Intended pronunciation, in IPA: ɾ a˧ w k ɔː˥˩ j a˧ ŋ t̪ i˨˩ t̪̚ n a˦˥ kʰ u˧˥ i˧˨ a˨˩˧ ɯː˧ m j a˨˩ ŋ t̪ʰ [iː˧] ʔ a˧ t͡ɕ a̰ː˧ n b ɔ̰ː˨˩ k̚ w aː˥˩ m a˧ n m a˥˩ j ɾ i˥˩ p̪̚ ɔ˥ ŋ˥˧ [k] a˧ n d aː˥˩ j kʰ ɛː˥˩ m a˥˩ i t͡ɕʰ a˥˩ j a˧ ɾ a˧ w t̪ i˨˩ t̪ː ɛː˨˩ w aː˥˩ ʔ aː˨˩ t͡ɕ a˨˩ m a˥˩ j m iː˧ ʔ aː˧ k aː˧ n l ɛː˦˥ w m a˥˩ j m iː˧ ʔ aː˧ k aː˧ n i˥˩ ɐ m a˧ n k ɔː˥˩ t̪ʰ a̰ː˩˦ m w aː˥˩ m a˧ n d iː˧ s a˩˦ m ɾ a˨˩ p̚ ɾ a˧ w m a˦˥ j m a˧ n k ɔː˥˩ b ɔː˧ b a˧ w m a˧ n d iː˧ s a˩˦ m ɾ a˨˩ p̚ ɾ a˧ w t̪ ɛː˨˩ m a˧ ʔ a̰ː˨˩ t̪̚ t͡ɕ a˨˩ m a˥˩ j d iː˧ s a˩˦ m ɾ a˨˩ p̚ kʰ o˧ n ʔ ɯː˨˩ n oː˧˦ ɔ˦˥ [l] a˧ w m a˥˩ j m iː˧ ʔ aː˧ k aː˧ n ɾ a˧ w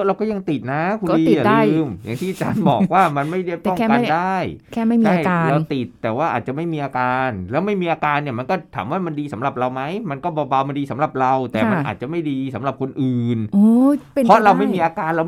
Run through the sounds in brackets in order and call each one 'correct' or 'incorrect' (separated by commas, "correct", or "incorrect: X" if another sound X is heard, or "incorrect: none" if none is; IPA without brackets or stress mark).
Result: incorrect: iː˥˩, correct, incorrect: ɾ